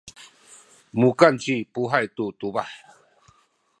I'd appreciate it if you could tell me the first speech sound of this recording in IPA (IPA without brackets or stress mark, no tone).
m